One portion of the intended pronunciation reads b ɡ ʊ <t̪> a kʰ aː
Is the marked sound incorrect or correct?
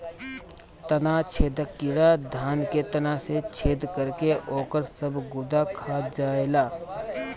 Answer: incorrect: d̪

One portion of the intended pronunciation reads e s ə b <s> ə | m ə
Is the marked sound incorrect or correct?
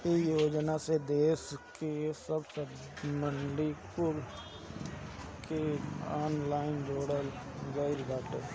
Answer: correct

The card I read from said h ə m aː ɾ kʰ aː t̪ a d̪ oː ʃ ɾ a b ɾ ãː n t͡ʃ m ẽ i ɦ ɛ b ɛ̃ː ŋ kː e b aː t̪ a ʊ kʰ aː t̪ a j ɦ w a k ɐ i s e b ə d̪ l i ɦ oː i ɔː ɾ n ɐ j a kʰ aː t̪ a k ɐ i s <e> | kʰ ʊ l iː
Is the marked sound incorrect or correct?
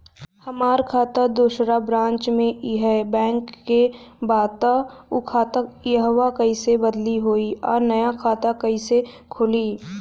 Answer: correct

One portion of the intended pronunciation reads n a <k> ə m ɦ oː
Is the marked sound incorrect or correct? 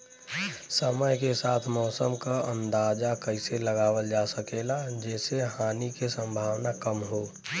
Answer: correct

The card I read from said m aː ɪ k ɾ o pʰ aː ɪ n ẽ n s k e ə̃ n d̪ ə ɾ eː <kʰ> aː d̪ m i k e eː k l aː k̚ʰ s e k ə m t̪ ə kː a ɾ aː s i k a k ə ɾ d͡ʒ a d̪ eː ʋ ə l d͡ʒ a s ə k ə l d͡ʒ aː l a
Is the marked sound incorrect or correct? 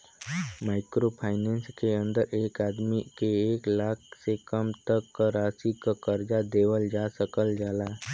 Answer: incorrect: k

